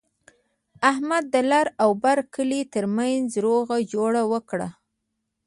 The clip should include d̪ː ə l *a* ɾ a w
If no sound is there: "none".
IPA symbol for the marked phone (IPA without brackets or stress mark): a